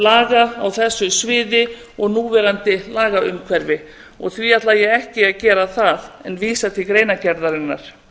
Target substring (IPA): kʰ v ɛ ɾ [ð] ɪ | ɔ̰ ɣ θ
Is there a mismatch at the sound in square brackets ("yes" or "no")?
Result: yes